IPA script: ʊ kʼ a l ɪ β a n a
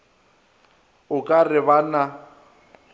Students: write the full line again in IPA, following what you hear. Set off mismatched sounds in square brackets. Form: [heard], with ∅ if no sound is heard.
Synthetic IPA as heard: ʊ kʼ a [r] ɪ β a n a